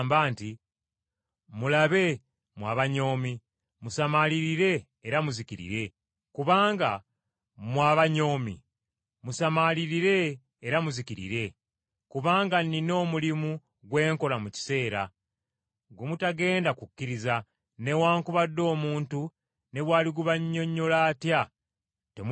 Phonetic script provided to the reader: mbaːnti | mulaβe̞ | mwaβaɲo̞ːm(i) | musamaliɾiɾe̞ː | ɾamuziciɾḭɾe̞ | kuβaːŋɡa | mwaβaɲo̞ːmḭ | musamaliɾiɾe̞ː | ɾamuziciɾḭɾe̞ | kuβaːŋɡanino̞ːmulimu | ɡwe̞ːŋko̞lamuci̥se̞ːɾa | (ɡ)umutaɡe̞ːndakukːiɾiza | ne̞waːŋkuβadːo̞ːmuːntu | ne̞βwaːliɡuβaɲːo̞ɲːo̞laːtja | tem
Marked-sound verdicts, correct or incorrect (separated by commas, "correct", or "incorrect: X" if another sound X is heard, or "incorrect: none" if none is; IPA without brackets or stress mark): correct, correct